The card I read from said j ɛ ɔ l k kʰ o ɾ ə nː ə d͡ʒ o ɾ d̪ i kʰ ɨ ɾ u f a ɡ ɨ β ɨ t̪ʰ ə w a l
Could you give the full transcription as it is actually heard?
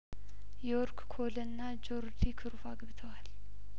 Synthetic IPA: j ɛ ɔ ɾ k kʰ o l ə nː a d͡ʒ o ɾ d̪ i kʰ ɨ ɾ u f a ɡ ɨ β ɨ t̪ʰ ə w a l